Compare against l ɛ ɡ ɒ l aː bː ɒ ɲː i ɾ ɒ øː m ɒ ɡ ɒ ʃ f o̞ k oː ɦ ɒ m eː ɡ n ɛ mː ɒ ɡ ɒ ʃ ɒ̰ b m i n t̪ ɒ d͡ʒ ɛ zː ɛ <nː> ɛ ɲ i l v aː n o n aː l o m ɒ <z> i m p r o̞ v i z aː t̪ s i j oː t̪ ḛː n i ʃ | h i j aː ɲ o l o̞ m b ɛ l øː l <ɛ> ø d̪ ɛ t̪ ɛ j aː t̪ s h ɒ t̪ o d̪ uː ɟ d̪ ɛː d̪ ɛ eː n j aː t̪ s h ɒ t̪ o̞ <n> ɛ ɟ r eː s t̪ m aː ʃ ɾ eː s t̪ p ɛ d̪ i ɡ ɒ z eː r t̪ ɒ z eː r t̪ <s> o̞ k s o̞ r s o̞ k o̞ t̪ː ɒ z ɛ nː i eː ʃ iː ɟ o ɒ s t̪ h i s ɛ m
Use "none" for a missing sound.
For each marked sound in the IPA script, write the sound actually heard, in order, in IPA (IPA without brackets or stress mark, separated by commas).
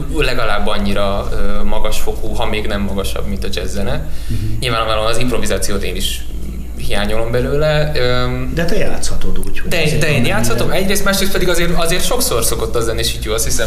n, z, ɛ, m, ʃ